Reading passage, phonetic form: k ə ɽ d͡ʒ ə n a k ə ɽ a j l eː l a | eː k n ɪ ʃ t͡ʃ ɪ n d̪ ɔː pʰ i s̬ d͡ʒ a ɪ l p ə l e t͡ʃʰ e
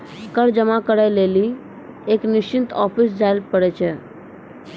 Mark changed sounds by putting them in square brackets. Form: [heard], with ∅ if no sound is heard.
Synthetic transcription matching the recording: k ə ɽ d͡ʒ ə [m] a k ə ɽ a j l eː l [i] | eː k n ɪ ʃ t͡ʃ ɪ n [t̪] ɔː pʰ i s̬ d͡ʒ a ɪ l p ə [ɽ] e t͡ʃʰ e